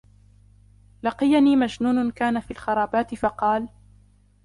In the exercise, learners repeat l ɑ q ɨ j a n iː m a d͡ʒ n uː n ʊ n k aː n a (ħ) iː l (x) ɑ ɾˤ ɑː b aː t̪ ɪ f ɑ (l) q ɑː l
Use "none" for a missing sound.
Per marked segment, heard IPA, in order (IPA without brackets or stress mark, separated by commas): f, x, none